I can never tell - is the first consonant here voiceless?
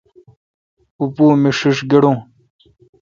yes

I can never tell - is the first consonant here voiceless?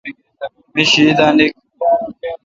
no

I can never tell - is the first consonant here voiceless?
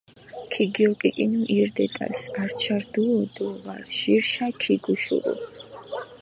yes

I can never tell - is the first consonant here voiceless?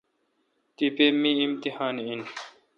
yes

